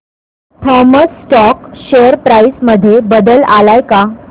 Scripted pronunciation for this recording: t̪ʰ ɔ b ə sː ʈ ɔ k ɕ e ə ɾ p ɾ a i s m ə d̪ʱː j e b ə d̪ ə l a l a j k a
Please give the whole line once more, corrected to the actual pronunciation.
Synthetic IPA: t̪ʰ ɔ m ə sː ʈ ɔ k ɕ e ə ɾ p ɾ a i s m ə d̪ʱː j e b ə d̪ ə l a l a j k a

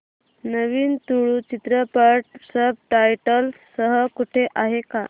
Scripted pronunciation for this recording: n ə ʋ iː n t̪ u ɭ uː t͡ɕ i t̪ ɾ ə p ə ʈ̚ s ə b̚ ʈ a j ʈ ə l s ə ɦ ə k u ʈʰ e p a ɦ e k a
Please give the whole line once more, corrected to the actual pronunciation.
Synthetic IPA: n ə ʋ iː n t̪ u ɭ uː t͡ɕ i t̪ ɾ ə p ə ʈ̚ s ə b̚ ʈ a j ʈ ə l s ə ɦ ə k u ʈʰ e ʔ a ɦ e k a

